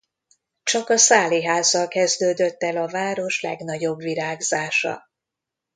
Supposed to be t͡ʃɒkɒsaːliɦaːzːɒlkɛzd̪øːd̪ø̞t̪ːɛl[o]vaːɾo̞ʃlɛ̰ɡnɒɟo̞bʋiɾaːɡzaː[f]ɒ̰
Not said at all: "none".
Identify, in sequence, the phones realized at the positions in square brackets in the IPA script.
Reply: ɒ, ʃ

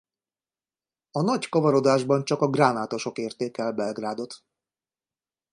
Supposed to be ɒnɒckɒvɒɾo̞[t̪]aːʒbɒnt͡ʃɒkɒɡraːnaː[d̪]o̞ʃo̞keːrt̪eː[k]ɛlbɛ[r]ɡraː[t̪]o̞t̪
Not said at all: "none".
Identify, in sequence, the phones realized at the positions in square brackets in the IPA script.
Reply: d̪, t̪, k, l, d̪

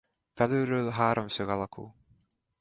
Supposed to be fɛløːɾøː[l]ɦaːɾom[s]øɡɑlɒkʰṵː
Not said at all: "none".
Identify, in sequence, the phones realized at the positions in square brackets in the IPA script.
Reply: l, s

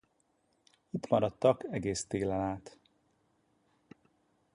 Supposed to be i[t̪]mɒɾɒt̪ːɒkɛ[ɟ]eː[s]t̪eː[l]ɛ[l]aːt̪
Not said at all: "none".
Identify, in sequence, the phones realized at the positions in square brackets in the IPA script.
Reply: t̪, ɡ, s, l, l

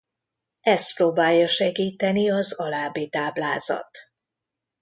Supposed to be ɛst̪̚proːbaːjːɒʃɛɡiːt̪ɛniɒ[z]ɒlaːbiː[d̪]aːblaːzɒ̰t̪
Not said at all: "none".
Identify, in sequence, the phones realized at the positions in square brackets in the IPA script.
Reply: z, t̪

